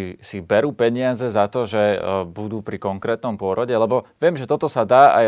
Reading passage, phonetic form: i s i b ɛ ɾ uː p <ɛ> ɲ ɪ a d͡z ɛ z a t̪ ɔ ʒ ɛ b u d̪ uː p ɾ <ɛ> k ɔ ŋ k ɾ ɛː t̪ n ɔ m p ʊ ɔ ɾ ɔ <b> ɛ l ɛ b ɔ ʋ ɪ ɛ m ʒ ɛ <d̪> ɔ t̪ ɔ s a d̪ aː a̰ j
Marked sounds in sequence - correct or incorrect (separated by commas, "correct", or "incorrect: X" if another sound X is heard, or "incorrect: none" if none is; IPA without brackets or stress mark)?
correct, incorrect: i, incorrect: ɟ, incorrect: t̪